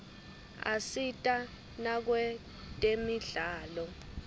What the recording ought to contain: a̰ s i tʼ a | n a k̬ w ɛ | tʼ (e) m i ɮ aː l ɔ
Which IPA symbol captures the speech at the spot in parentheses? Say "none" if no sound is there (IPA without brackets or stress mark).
e